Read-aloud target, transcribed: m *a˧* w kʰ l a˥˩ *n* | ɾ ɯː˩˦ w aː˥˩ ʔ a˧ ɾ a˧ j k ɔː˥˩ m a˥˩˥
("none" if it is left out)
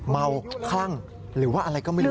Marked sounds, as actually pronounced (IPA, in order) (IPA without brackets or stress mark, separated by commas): a˧, ŋ